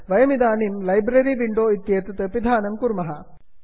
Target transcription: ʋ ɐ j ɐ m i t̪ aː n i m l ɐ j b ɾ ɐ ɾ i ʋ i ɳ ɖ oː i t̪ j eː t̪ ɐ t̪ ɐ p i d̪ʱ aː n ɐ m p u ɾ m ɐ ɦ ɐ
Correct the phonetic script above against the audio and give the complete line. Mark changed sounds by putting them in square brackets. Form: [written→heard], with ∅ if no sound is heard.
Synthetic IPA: ʋ ɐ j ɐ m i [t̪→d̪] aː n i m l ɐ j b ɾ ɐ ɾ i ʋ i ɳ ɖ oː i t̪ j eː t̪ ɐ t̪ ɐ p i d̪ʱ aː n ɐ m [p→k] u ɾ m ɐ ɦ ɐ